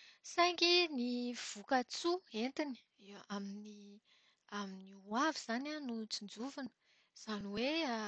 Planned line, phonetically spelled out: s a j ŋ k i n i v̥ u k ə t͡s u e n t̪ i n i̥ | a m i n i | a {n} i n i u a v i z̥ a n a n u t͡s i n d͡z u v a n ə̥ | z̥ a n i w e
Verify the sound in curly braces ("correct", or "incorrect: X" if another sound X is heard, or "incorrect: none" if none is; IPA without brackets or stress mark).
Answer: incorrect: m